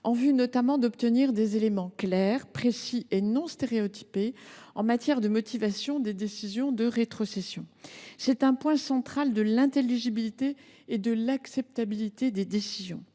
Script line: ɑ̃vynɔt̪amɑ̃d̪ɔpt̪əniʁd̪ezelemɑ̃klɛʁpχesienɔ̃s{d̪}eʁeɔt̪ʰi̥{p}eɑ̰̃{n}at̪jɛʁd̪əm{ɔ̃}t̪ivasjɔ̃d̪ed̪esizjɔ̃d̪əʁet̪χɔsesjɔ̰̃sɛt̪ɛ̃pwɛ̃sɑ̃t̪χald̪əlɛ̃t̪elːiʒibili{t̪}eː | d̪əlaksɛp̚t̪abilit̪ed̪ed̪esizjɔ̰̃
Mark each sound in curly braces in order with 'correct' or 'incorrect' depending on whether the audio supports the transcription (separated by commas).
incorrect, correct, incorrect, incorrect, correct